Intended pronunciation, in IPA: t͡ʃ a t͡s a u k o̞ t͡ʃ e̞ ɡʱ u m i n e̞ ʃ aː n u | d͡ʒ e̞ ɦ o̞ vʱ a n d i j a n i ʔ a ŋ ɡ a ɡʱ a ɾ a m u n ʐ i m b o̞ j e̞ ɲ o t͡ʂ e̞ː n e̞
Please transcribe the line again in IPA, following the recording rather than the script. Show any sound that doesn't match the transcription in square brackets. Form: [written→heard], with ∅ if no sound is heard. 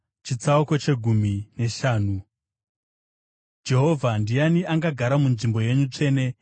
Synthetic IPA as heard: t͡ʃ [a→i] t͡s a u k o̞ t͡ʃ e̞ ɡʱ u m i n e̞ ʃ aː n u | d͡ʒ e̞ ɦ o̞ vʱ a n d i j a n i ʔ a ŋ ɡ a ɡʱ a ɾ a m u n ʐ i m b o̞ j e̞ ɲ [o→u] t͡ʂ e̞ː n e̞

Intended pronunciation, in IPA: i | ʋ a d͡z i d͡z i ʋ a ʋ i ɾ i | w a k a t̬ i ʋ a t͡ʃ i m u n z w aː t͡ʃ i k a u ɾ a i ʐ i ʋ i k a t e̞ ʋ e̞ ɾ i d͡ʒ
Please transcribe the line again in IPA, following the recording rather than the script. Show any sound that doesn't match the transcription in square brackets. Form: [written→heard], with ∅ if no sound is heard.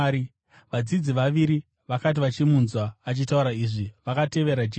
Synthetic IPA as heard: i | ʋ a d͡z i d͡z i ʋ a ʋ i ɾ i | [w→ʋ] a k a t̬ i ʋ a t͡ʃ i m u n z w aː t͡ʃ i [k→t] a u ɾ a i ʐ i ʋ [i→a] k a t e̞ ʋ e̞ ɾ [i→a] d͡ʒ

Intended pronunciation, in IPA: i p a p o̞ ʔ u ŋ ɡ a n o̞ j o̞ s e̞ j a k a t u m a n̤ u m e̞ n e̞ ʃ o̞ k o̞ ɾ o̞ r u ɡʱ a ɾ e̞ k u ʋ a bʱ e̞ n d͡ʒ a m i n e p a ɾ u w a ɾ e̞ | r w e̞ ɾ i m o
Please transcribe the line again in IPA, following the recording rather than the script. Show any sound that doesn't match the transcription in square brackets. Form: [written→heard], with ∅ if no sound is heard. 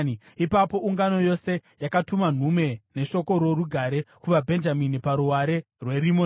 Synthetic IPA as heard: i p a p o̞ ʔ u ŋ ɡ a n o̞ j o̞ s e̞ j a k a t u m a n̤ u m e̞ n e̞ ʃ o̞ k o̞ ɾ o̞ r u ɡʱ a ɾ e̞ k u ʋ a bʱ e̞ n d͡ʒ a m i n [e→i] p a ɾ u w a ɾ e̞ | r w e̞ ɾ i m o

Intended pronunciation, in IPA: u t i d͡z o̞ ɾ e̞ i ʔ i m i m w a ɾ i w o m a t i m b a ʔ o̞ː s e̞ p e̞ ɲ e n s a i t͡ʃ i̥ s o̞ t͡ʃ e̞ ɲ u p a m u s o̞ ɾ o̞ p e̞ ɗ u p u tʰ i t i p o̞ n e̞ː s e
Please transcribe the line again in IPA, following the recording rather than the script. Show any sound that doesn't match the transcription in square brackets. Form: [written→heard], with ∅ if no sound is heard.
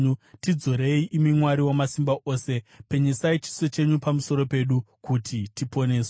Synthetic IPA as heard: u t i d͡z o̞ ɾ e̞ i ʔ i m i m w a ɾ i w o m a [t→s] i m b a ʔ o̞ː s e̞ p e̞ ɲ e [n→∅] s a i t͡ʃ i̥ s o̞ t͡ʃ e̞ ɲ u p a m u s o̞ ɾ o̞ p e̞ ɗ u [p→k] u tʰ i t i p o̞ n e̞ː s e

